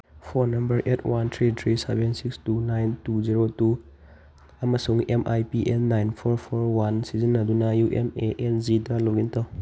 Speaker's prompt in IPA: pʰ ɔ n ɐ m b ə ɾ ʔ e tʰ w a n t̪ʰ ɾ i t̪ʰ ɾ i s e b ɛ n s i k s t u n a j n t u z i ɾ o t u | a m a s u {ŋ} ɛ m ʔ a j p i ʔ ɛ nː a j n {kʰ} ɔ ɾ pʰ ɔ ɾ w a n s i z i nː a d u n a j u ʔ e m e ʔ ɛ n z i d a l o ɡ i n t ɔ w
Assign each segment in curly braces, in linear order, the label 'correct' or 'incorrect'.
correct, incorrect

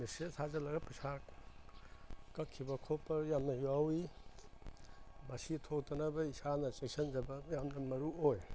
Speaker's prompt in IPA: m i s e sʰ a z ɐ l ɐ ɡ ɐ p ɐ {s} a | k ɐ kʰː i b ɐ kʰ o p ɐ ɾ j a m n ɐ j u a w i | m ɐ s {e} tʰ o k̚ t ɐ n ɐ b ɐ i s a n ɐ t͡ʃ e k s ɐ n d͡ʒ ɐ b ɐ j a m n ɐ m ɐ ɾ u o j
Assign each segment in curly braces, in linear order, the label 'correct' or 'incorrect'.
correct, incorrect

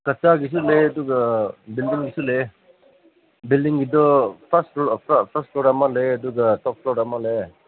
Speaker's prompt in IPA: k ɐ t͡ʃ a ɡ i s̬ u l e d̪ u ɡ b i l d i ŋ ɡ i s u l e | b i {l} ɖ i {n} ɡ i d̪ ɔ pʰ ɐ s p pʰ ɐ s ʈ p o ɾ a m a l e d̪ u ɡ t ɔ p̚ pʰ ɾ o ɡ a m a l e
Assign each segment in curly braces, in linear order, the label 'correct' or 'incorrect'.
correct, incorrect

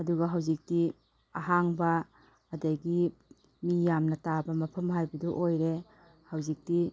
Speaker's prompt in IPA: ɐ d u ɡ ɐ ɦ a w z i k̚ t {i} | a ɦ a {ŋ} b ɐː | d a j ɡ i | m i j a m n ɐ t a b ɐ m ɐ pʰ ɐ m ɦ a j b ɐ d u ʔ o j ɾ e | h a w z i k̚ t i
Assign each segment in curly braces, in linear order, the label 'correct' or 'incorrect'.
correct, correct

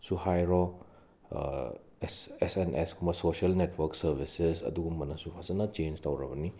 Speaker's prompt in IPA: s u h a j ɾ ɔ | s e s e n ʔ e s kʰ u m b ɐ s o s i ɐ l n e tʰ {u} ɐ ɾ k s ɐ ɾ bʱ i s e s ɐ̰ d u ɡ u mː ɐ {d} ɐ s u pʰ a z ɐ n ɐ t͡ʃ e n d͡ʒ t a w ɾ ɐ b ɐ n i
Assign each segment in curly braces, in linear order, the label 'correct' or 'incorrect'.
incorrect, incorrect

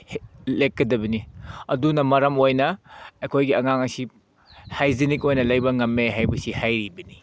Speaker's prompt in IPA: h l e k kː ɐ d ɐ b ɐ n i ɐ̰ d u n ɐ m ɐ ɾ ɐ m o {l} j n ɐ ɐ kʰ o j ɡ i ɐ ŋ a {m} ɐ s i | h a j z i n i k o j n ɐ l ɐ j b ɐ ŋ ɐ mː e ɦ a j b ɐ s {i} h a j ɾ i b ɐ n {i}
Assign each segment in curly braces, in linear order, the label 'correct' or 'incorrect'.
incorrect, incorrect, correct, correct

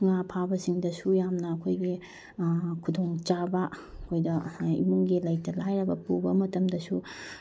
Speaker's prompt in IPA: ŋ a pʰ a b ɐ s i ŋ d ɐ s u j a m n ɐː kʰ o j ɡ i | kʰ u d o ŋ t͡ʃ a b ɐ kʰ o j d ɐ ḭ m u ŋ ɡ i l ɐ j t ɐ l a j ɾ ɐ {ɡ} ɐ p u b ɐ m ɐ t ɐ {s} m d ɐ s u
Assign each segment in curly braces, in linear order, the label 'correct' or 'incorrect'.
incorrect, incorrect

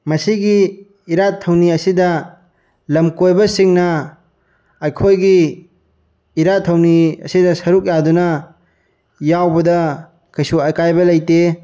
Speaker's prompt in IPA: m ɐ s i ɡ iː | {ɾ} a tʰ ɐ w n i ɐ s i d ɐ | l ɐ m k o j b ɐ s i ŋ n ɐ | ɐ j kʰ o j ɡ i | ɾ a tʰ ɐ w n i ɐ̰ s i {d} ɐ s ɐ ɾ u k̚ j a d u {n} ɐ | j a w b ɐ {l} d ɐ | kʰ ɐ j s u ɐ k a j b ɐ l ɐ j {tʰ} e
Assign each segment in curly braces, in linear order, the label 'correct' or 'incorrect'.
correct, correct, correct, incorrect, incorrect

